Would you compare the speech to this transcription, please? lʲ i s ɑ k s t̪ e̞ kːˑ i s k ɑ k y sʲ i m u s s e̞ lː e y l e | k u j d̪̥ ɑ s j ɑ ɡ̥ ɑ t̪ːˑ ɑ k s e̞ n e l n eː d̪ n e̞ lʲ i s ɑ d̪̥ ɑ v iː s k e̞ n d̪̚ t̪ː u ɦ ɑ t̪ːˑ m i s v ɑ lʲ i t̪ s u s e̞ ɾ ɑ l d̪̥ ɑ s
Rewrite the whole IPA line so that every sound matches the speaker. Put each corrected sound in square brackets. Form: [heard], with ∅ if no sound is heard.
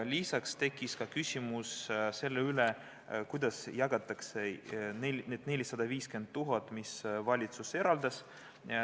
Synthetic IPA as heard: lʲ i s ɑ k s t̪ e̞ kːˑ i s k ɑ k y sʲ i m u s s e̞ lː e y l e | k u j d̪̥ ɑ s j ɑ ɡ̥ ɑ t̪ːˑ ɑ k s e̞ n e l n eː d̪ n e̞ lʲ i s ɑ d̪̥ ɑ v iː s k e̞ n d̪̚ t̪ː u ɦ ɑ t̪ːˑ m i s v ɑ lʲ i t̪ s u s e̞ ɾ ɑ l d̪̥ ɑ s